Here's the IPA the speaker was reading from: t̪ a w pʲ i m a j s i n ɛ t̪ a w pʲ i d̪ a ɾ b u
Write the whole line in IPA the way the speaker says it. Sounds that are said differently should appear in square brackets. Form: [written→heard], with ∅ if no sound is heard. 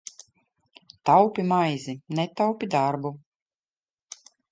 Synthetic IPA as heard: t̪ a w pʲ i m a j [s→z] i n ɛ t̪ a w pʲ i d̪ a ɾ b u

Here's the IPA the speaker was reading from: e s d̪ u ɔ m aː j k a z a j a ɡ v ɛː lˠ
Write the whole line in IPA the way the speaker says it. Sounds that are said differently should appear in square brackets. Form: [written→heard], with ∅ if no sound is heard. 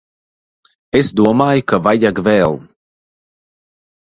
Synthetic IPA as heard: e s d̪ u ɔ m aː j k a [z→v] a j a ɡ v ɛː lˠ

